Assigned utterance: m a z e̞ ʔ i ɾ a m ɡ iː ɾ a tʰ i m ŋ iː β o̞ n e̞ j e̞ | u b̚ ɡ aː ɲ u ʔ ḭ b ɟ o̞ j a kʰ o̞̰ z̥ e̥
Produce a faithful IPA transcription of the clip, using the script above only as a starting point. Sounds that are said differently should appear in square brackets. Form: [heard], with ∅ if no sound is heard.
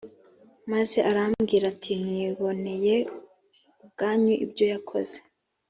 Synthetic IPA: m a z e̞ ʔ [a] ɾ a m ɡ iː ɾ a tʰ i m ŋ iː β o̞ n e̞ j e̞ | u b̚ ɡ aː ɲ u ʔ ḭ b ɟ o̞ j a kʰ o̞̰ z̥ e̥